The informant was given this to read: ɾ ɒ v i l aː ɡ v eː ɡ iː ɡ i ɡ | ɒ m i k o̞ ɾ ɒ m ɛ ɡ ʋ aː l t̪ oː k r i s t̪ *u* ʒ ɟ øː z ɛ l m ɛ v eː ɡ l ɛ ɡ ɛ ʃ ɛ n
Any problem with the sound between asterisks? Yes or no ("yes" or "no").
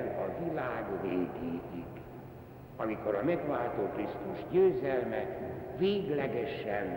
no